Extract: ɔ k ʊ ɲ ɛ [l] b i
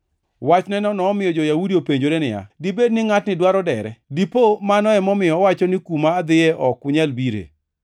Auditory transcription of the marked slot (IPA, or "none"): l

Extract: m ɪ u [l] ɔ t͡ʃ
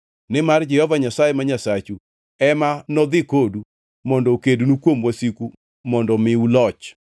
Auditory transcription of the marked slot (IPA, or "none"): l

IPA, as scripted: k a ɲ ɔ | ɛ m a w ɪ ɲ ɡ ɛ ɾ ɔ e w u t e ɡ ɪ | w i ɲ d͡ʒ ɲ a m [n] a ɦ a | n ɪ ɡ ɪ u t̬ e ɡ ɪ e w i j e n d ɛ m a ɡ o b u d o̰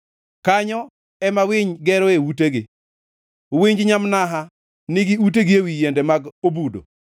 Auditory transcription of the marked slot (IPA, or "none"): n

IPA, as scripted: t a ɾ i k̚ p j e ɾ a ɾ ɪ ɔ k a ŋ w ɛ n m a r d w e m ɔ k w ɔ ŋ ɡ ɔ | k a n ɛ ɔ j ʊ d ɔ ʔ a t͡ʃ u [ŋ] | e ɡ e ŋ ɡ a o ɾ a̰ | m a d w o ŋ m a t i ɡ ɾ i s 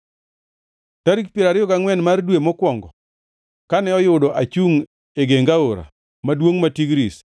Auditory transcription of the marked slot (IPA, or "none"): ŋ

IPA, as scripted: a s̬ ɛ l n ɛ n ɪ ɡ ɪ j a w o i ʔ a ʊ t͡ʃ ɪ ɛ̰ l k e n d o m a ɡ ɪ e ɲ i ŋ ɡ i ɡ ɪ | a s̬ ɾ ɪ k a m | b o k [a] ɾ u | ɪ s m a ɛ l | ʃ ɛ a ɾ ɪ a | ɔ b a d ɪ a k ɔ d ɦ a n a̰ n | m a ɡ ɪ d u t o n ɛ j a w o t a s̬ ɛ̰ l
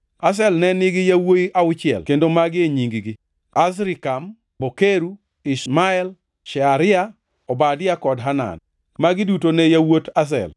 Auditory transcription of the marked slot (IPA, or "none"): e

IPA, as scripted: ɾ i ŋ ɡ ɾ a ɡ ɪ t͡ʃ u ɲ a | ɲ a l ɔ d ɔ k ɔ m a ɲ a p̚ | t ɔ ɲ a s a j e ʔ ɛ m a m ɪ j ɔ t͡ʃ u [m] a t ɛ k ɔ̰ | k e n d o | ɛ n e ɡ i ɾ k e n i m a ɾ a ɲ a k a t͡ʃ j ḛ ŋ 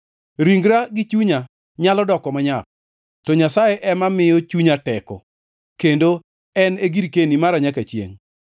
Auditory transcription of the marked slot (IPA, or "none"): ɲ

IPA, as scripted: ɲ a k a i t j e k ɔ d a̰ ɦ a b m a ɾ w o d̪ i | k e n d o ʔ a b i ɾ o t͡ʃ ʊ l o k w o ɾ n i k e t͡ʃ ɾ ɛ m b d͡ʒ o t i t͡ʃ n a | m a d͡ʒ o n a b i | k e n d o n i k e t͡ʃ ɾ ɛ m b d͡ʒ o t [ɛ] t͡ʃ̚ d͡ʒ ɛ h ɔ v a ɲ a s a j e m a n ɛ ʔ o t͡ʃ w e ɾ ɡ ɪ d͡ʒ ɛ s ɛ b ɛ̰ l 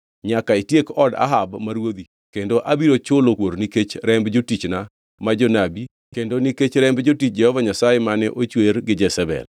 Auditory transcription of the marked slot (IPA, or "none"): i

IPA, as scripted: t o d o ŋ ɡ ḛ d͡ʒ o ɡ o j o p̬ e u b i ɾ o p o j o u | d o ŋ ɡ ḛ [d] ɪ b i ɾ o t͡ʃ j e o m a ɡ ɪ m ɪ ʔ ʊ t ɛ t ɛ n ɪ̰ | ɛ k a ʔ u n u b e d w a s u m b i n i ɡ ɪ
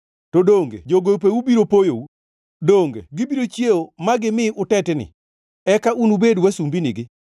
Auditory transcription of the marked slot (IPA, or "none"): ɡ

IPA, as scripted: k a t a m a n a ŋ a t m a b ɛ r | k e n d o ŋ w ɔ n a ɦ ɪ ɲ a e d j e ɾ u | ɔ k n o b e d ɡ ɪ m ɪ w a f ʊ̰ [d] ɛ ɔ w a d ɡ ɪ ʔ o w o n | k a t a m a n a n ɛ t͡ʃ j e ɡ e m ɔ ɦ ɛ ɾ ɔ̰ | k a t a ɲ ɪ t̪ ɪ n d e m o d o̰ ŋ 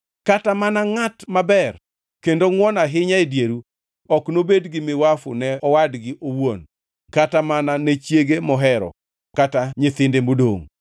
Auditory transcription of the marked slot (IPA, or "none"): n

